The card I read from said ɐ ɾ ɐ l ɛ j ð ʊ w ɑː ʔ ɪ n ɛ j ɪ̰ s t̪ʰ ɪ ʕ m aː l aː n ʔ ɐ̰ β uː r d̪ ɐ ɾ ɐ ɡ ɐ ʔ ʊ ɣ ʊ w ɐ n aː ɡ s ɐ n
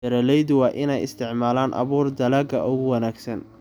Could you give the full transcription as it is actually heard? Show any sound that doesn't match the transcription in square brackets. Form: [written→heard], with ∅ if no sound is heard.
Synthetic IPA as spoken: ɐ ɾ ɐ l ɛ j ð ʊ w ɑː ʔ ɪ n ɛ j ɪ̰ s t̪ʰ ɪ ʕ m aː l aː n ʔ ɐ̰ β uː r d̪ ɐ [ɾ→l] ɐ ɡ ɐ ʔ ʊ ɣ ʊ w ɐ n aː ɡ s ɐ n